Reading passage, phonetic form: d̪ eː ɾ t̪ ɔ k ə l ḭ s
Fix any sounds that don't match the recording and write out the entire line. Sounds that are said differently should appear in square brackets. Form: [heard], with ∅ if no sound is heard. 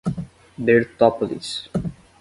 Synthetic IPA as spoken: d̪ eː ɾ t̪ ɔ [p] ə l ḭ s